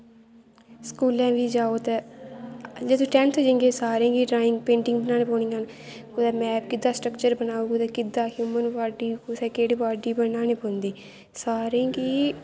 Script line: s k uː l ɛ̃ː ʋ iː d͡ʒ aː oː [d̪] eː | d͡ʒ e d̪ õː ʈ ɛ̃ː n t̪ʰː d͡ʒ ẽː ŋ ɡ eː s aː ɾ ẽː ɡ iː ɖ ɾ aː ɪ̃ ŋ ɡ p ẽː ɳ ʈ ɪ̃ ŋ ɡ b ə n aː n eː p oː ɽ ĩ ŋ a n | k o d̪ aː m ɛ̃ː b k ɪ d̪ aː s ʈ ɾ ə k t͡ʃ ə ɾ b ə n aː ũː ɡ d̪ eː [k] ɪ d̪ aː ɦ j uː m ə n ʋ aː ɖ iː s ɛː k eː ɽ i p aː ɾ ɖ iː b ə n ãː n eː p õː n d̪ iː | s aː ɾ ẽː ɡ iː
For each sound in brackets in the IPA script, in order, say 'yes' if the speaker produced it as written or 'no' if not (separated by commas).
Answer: no, yes